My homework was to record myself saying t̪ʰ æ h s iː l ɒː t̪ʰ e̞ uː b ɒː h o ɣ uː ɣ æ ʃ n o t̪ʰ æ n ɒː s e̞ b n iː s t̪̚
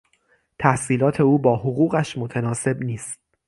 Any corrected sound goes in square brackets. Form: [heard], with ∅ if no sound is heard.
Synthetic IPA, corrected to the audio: t̪ʰ æ h s iː l ɒː t̪ʰ e̞ uː b ɒː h o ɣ uː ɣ æ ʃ [m] o t̪ʰ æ n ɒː s e̞ b n iː s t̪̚